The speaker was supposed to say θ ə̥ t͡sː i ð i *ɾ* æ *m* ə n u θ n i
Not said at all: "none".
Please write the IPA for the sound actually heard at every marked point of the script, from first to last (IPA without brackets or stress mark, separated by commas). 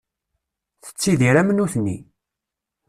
ɾ, m